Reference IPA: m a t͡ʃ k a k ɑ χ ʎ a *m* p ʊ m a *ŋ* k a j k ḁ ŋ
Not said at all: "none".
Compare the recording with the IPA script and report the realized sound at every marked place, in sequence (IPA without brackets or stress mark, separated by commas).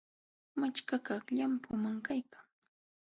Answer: m, ŋ